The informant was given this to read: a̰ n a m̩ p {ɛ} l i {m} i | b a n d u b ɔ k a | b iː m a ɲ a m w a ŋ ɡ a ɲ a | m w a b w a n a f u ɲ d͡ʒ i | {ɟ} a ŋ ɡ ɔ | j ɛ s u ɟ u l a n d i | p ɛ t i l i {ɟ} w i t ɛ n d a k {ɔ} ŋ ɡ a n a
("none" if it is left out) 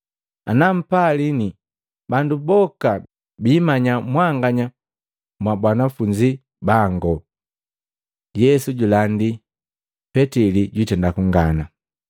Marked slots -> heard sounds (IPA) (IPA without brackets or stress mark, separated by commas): a, n, b, ɟ, u